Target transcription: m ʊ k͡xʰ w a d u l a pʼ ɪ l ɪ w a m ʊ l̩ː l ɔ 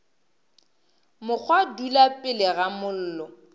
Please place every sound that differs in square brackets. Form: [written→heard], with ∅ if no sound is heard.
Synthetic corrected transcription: m ʊ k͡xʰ w a d u l a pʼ ɪ l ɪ [w→ɣ] a m ʊ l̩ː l ɔ

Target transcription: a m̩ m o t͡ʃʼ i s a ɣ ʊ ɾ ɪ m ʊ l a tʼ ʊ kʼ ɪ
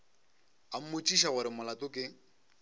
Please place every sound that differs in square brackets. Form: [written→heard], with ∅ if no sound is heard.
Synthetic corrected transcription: a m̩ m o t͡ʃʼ i [s→ʃ] a ɣ ʊ ɾ ɪ m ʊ l a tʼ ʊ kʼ ɪ

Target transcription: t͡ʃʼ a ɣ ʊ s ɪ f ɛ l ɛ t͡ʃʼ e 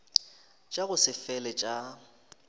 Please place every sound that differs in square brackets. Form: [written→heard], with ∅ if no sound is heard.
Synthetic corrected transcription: t͡ʃʼ a ɣ ʊ s ɪ f ɛ l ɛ t͡ʃʼ [e→a]

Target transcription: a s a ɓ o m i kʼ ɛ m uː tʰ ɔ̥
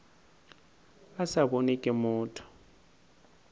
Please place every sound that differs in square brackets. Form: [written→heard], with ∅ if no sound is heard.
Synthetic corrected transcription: a s a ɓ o [m→n] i kʼ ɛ m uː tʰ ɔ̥

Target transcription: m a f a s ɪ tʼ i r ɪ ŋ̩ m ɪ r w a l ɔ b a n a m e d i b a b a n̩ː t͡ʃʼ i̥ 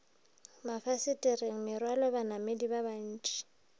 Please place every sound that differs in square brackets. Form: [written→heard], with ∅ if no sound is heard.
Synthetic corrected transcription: m a f a s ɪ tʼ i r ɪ ŋ̩ m ɪ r w a l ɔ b a n a m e d i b a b a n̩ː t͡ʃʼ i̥

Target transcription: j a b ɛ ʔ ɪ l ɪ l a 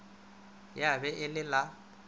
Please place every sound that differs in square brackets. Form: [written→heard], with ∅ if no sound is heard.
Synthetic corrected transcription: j a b ɛ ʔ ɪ l ɪ l a

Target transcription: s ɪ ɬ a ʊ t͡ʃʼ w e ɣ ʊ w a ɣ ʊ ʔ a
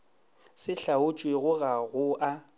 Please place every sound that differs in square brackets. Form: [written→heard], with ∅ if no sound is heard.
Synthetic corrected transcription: s ɪ ɬ a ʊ t͡ʃʼ w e ɣ ʊ [w→ɣ] a ɣ ʊ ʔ a

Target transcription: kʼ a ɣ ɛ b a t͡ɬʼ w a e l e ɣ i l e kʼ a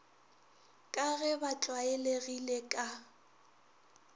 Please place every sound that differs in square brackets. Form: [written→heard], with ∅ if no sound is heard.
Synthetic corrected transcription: kʼ a ɣ ɛ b a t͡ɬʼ w a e l e ɣ i l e kʼ a

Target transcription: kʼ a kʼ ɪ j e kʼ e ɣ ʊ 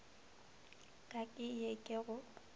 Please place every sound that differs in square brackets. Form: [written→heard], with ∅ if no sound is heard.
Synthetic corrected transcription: kʼ a kʼ ɪ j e kʼ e ɣ ʊ

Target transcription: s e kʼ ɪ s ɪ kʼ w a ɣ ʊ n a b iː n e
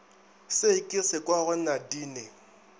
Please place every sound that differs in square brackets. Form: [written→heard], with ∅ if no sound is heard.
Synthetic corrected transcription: s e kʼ ɪ s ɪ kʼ w a ɣ ʊ n a [b→d] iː n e

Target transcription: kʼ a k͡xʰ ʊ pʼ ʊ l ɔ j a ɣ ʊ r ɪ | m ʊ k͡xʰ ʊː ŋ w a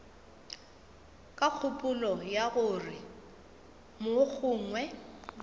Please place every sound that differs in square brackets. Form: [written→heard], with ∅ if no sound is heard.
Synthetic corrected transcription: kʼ a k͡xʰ ʊ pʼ ʊ l ɔ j a ɣ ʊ r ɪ | m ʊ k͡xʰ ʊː ŋ w [a→ɛ]

